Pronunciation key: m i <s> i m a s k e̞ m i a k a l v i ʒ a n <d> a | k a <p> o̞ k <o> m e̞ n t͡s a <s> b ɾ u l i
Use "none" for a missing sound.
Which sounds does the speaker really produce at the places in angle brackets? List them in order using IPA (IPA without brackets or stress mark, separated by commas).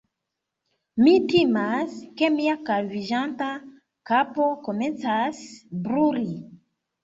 t, t, p, o, s